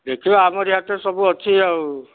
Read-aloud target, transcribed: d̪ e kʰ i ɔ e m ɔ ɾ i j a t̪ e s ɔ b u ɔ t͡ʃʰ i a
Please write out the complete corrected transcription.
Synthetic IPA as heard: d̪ e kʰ i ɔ a m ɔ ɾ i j a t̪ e s ɔ b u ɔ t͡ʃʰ i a